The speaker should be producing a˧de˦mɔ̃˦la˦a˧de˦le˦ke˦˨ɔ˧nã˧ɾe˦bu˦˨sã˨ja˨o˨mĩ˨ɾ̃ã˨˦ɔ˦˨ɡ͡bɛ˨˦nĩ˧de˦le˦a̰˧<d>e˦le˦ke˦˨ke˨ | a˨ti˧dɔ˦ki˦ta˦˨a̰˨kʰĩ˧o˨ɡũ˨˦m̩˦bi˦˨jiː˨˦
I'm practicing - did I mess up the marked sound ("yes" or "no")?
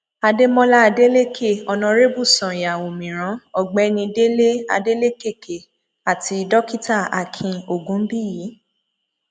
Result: no